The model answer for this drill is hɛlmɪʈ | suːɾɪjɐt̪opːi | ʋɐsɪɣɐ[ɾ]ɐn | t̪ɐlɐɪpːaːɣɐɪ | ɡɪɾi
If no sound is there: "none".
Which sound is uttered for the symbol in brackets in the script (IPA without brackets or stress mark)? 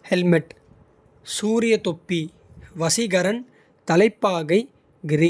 ɾ